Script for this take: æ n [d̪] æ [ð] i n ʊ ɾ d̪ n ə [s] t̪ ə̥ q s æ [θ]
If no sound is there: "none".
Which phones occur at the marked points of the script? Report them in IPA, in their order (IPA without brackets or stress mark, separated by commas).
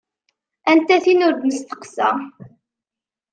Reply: t̪, θ, s, none